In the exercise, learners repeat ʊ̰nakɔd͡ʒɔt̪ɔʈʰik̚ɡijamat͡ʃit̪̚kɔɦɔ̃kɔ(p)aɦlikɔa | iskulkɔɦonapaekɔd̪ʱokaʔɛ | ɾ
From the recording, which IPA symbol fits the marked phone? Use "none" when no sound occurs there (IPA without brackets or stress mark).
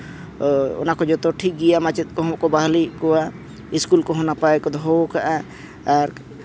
b